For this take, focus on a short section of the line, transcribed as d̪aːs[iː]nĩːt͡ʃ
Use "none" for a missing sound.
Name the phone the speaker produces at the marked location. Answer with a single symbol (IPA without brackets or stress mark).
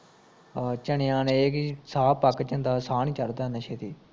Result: aː